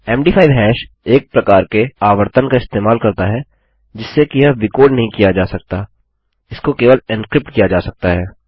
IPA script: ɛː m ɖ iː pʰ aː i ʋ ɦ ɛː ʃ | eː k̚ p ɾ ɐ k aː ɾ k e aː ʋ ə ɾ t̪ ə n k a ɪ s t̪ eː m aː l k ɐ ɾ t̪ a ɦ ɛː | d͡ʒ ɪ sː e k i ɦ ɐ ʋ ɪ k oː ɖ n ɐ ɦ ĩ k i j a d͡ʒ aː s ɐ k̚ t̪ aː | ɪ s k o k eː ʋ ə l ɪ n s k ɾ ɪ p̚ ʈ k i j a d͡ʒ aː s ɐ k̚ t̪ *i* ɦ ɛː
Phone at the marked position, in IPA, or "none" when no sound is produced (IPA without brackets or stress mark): a